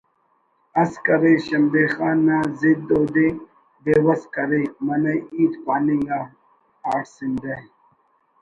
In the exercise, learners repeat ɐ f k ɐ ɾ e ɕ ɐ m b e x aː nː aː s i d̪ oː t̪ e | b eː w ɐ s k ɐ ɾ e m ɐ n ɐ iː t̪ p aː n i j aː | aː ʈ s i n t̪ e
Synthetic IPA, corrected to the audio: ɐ s k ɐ ɾ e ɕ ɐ m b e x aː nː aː z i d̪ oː d̪ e | b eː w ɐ s k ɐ ɾ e m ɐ n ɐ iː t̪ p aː n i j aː | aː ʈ s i n d̪ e